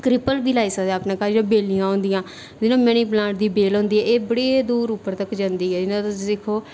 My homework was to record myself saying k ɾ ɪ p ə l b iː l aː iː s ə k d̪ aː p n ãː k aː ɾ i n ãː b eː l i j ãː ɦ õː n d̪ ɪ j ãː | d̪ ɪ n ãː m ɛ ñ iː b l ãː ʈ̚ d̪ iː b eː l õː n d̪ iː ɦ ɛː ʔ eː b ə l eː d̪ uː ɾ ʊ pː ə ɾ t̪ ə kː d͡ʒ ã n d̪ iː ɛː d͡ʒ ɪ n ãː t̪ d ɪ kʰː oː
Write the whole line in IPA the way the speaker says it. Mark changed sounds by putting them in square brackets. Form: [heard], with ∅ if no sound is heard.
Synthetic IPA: k ɾ ɪ p ə l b iː l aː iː s ə k d̪ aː p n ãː k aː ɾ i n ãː b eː l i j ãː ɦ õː n d̪ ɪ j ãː | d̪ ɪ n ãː m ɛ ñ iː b l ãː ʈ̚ d̪ iː b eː l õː n d̪ iː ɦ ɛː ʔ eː b ə [ɽ] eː d̪ uː ɾ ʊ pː ə ɾ t̪ ə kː d͡ʒ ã n d̪ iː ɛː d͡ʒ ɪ n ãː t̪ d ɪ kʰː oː